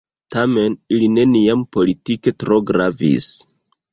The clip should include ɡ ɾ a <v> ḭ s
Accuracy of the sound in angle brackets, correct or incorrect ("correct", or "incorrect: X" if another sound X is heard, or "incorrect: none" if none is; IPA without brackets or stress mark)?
correct